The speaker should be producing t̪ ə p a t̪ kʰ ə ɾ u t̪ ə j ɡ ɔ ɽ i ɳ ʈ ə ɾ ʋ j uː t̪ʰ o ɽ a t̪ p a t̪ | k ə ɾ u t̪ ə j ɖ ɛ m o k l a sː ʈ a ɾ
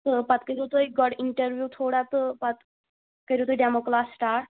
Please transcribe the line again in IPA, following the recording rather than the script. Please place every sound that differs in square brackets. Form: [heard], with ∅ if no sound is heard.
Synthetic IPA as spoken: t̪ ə p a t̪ [k] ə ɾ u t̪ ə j ɡ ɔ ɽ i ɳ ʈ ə ɾ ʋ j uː t̪ʰ o ɽ a t̪ p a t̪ | k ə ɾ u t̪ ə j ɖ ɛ m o k l a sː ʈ a ɾ

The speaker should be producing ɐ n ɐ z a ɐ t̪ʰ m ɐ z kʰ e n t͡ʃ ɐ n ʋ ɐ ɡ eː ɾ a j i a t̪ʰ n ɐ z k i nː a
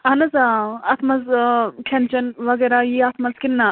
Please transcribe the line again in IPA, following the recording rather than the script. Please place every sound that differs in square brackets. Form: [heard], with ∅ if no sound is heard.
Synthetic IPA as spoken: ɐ n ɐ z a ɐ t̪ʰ m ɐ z kʰ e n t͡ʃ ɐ n ʋ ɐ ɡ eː ɾ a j i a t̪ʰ [m] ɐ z k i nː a

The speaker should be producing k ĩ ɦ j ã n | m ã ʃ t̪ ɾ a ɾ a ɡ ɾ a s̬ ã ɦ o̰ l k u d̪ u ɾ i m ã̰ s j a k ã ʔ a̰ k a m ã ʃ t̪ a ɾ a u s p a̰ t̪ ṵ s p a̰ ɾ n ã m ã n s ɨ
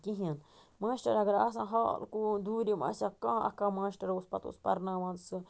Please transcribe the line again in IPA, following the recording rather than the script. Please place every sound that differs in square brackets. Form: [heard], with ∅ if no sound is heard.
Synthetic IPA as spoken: k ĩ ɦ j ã n | m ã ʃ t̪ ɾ a ɾ a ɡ ɾ a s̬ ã ɦ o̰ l k u d̪ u ɾ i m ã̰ s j a k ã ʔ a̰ k a m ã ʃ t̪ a ɾ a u s p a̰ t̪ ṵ s p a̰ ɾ n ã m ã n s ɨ

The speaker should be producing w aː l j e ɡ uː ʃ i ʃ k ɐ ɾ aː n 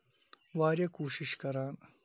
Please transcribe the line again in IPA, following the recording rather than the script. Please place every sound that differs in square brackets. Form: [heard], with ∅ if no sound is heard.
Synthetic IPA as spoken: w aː [ɾ] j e [k] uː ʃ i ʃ k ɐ ɾ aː n

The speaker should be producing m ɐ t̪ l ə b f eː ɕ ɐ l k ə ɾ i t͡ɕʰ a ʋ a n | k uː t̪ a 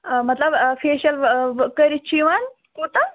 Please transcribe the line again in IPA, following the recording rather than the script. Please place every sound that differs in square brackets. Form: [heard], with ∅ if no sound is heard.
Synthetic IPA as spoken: m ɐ t̪ l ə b f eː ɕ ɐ l k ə ɾ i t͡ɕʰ [i] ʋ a n | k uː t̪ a

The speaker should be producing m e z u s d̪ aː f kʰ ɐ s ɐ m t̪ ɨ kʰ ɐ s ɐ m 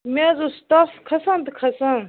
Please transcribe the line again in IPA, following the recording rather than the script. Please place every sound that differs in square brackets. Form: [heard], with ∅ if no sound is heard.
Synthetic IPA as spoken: m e z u s [t̪] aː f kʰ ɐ s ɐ [n] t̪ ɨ kʰ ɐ s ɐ [n]

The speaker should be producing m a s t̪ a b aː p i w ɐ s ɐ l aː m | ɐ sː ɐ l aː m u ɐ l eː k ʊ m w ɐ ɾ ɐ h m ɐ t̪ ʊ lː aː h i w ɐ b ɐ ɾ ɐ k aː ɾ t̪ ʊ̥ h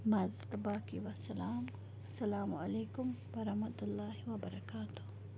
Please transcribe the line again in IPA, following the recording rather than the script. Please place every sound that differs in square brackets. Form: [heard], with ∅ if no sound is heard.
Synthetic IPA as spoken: m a [z] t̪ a b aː [k] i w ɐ s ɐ l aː m | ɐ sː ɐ l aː m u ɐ l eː k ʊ m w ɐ ɾ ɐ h m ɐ t̪ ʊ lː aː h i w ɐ b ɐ ɾ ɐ k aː [∅] t̪ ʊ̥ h

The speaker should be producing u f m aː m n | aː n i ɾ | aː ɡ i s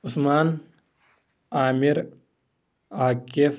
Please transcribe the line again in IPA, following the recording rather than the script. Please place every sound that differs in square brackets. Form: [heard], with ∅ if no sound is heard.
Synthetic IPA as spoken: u [s] m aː [∅] n | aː [m] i ɾ | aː [k] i [f]

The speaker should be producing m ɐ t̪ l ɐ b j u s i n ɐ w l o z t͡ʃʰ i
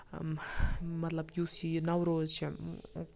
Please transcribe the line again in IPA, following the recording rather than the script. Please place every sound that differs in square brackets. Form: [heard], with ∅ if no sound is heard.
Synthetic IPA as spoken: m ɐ t̪ l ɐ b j u s i n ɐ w [ɾ] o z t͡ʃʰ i

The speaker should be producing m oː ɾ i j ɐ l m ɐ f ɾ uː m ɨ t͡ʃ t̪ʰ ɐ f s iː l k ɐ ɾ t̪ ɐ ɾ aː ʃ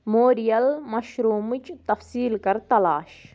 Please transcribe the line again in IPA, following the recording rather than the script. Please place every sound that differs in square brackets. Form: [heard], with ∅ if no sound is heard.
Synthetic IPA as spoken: m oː ɾ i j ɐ l m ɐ [ʃ] ɾ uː m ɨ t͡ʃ [t̪] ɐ f s iː l k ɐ ɾ t̪ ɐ [l] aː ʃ

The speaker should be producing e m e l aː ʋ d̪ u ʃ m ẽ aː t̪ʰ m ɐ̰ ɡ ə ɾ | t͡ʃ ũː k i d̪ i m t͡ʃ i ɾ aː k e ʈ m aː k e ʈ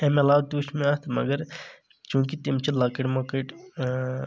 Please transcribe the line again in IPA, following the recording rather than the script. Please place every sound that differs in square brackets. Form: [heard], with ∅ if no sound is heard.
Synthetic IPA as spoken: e m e l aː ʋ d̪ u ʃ m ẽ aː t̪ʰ m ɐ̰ ɡ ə ɾ | t͡ʃ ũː k i [t̪] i m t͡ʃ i [l] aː k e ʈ m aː k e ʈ

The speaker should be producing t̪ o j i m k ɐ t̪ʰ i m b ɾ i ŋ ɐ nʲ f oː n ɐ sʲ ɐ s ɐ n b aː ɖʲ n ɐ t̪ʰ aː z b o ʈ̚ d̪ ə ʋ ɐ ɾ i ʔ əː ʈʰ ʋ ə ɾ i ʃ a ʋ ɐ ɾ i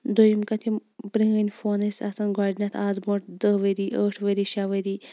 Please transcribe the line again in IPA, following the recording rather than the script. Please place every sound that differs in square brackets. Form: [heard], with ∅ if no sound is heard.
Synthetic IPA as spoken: [d̪] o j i m k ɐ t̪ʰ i m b ɾ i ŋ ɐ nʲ f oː n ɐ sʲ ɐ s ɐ n [ɡ] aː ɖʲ n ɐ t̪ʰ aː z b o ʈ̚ d̪ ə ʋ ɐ ɾ i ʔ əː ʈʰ ʋ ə ɾ i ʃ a ʋ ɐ ɾ i

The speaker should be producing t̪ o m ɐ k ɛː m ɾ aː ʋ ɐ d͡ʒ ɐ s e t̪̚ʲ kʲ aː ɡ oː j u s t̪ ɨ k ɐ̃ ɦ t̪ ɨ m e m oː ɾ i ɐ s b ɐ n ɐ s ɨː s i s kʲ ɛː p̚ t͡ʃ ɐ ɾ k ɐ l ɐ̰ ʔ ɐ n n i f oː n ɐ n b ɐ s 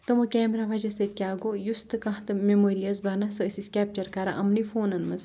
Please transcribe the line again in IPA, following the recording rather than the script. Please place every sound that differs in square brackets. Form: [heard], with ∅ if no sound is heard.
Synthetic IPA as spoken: t̪ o m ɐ k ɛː m ɾ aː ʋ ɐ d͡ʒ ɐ s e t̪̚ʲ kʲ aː ɡ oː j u s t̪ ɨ k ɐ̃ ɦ t̪ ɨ m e m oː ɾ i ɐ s b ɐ n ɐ s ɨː s i s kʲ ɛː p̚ t͡ʃ ɐ ɾ k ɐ [ɾ] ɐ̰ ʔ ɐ [m] n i f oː n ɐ n [m] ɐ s

